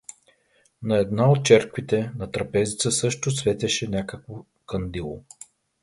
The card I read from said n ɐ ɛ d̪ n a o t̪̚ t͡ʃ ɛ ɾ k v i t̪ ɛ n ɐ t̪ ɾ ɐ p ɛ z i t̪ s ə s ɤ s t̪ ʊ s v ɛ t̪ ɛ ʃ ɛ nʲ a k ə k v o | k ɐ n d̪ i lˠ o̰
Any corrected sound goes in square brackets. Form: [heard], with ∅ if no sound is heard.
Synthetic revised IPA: n ɐ ɛ d̪ n a o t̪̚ t͡ʃ ɛ ɾ k v i t̪ ɛ n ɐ t̪ ɾ ɐ p ɛ z i t̪ s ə s ɤ [ʃ] t̪ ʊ s v ɛ t̪ ɛ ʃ ɛ nʲ a k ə k v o | k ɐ n d̪ i lˠ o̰